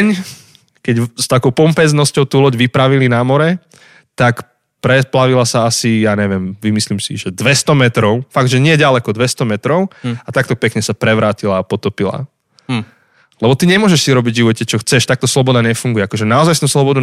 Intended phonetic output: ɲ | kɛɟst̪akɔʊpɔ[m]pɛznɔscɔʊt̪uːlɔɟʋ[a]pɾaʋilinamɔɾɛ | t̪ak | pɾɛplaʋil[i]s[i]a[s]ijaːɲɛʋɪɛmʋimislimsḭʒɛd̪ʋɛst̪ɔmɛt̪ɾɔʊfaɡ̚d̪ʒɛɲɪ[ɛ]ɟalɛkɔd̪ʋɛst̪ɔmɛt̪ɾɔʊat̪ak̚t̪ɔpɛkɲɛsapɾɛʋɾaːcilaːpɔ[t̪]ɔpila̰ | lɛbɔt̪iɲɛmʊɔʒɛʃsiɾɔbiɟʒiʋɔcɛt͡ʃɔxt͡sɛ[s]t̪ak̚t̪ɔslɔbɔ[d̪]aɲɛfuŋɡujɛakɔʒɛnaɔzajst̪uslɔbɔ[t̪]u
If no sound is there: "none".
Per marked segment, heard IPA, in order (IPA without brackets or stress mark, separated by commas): m, i, a, a, s, ɛ, t̪, ʃ, d̪, d̪